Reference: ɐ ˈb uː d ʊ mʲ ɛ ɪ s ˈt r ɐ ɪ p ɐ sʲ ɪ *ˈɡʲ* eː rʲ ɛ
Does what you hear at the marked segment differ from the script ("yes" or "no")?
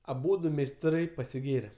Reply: no